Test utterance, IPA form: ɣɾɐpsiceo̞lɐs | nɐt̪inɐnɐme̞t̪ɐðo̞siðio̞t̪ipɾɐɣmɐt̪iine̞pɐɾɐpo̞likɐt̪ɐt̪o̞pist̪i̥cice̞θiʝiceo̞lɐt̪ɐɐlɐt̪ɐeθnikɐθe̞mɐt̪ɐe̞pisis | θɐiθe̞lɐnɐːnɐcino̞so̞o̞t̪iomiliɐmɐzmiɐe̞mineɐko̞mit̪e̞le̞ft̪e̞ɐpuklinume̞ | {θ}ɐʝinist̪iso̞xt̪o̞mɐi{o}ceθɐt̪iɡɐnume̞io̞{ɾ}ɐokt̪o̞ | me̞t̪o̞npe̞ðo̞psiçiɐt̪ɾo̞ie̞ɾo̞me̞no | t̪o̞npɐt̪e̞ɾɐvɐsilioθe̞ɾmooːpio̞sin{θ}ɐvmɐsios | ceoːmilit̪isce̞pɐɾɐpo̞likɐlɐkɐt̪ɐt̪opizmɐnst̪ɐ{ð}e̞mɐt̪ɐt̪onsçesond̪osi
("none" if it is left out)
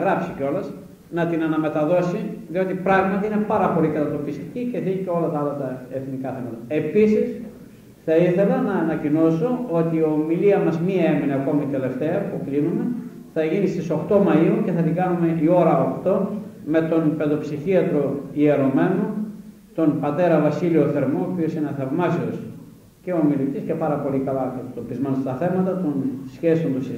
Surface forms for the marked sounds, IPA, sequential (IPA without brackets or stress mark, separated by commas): θ, u, ɾ, θ, θ